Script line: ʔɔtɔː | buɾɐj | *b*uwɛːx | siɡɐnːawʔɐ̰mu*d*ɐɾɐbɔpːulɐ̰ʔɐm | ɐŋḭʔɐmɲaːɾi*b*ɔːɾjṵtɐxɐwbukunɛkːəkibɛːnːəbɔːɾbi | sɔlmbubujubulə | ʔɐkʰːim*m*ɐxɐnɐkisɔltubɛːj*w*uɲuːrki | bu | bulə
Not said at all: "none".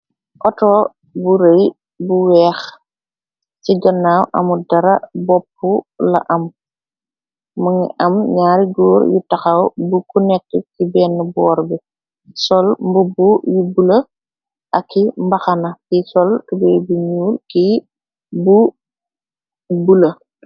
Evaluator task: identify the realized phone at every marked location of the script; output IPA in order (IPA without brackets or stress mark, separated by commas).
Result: b, d, ɡ, b, b